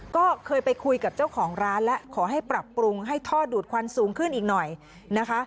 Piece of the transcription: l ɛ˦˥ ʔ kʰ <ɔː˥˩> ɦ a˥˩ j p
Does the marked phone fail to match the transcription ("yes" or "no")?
yes